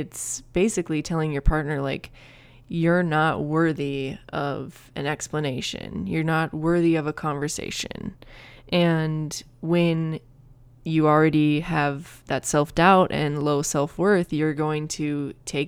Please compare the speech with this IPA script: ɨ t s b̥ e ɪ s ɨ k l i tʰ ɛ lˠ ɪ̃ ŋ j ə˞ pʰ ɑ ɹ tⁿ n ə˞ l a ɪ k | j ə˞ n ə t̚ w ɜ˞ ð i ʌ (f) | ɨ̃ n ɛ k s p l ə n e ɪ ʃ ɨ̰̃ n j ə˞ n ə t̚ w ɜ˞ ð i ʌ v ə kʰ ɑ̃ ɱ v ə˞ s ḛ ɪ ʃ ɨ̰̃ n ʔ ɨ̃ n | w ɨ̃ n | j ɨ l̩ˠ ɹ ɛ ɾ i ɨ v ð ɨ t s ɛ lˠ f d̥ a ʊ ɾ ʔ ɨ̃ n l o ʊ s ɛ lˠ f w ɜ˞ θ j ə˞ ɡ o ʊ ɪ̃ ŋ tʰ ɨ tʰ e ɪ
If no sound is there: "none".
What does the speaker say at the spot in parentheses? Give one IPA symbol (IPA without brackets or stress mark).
v